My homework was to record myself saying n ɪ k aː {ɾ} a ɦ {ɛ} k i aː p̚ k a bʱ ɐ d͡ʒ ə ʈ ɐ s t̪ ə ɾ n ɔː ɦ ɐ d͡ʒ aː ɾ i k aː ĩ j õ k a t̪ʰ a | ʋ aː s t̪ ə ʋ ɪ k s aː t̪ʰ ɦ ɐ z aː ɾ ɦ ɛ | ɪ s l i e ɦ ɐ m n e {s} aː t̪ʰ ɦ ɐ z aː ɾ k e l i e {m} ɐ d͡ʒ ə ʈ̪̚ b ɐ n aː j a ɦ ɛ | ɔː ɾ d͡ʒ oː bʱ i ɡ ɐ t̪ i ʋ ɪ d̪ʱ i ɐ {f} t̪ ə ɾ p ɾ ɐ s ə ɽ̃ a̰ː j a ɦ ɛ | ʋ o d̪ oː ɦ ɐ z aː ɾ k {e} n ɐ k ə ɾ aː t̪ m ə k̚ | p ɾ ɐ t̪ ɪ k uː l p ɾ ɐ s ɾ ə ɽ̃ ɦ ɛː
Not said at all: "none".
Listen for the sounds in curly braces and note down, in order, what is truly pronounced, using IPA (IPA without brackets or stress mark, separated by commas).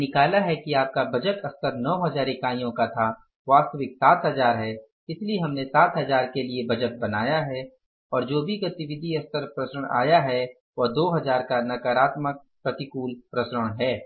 l, ɛ, s, b, s, a